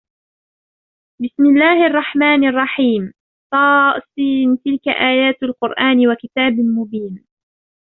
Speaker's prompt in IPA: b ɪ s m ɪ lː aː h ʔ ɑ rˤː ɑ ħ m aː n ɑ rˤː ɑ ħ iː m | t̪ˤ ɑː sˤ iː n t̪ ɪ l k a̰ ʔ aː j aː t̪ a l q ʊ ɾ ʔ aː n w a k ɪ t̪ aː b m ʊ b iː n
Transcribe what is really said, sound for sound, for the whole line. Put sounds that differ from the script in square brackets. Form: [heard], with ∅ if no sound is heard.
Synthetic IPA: b ɪ s m ɪ lː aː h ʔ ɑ rˤː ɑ ħ m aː n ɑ rˤː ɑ ħ iː m | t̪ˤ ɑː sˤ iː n t̪ ɪ l k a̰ ʔ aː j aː t̪ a l q ʊ ɾ ʔ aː n w a k ɪ t̪ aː b m ʊ b iː n